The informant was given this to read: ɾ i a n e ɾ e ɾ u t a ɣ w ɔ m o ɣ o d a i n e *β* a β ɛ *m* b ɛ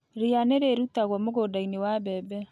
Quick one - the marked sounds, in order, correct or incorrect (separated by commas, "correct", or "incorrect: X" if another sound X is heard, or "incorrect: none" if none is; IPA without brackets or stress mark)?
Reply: incorrect: w, incorrect: none